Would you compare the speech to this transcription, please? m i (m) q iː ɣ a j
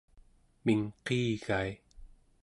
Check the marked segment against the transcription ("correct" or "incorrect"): incorrect